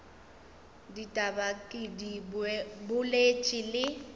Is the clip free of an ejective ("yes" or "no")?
no